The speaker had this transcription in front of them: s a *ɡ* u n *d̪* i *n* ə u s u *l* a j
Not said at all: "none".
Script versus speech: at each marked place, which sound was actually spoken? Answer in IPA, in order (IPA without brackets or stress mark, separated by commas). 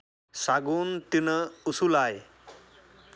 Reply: ɡ, t̪, n, l